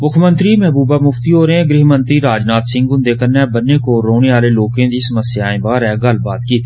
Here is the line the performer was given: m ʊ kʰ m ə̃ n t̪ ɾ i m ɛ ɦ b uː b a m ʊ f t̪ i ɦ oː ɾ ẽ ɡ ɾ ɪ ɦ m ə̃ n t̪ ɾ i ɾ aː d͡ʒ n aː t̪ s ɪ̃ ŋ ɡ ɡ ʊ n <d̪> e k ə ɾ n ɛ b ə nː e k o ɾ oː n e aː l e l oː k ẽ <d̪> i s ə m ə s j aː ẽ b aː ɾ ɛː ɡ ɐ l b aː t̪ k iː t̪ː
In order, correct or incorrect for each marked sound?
correct, correct

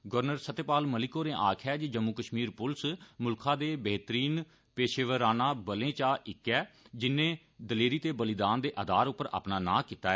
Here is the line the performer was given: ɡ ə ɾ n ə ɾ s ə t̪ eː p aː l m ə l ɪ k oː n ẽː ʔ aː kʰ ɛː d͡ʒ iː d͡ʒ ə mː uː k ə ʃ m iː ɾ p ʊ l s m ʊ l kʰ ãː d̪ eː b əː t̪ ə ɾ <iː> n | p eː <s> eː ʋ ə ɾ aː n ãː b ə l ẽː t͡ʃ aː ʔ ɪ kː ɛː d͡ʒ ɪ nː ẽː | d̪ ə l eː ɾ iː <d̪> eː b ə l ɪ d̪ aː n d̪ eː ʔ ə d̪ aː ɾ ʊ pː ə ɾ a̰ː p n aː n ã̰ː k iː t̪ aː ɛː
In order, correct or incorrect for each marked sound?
correct, incorrect: ʃ, incorrect: t̪

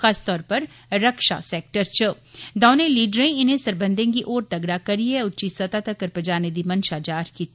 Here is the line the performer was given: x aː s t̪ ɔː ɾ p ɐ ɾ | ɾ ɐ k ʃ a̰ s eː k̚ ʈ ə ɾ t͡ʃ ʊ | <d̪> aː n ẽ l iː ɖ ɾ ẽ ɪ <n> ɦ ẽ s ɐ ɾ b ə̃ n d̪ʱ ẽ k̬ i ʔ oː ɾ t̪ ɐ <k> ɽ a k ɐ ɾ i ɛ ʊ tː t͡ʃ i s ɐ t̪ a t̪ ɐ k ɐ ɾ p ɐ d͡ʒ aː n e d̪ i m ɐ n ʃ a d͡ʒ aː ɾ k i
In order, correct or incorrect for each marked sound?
correct, correct, incorrect: ɡ

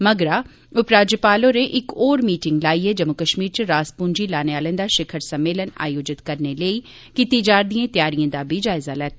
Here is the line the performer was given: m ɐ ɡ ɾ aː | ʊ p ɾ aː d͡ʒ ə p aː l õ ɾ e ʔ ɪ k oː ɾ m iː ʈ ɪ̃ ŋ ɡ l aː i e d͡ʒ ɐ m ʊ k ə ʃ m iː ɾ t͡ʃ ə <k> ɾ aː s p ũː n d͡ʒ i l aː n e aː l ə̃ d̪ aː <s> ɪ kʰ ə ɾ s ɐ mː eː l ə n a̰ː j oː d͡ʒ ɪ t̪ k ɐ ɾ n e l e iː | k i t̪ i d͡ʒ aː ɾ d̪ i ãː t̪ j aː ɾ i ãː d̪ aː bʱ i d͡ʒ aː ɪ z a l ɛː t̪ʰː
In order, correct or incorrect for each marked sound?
incorrect: none, incorrect: ʃ

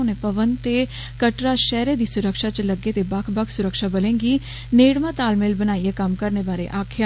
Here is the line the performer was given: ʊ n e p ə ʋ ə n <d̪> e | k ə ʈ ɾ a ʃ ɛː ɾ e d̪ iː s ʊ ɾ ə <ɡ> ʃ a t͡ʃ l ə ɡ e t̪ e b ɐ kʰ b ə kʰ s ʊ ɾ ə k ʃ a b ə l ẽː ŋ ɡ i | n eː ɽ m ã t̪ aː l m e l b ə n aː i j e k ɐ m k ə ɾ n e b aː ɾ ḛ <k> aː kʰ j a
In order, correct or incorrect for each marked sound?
incorrect: t̪, incorrect: k, incorrect: ʔ

